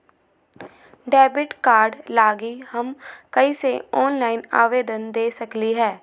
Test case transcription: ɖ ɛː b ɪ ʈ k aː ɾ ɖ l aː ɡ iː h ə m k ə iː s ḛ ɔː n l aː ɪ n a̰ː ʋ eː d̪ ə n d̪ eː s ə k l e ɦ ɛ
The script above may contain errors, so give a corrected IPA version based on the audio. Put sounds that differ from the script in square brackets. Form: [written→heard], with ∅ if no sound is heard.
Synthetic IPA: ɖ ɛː b ɪ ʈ k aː ɾ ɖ l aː ɡ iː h ə m k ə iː s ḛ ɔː n l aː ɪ n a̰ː ʋ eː d̪ ə n d̪ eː s ə k l [e→i] ɦ [ɛ→ɛː]